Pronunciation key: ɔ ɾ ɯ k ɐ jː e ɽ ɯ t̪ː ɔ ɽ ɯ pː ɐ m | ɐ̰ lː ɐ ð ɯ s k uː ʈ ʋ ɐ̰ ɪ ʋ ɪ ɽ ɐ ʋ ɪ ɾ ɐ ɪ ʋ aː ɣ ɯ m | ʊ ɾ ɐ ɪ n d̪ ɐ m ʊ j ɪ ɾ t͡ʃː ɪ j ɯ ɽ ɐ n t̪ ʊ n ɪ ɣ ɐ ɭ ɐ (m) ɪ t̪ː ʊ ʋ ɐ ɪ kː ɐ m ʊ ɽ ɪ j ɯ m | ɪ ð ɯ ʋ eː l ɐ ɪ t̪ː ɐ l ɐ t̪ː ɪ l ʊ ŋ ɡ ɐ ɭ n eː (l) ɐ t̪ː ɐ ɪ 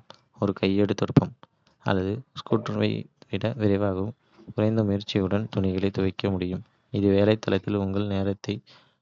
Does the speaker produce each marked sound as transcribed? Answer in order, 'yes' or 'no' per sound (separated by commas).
no, no